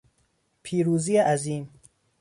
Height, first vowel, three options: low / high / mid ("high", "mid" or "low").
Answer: high